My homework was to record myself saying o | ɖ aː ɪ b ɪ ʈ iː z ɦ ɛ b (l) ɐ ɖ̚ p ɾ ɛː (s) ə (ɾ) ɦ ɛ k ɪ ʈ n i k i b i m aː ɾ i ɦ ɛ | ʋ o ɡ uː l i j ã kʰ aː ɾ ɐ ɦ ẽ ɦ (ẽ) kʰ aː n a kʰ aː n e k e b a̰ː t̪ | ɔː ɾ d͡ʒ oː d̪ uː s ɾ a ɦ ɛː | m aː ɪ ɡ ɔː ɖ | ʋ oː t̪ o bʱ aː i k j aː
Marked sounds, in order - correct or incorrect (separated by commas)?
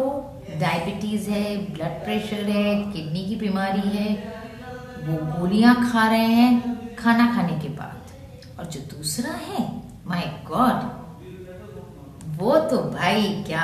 correct, incorrect, correct, incorrect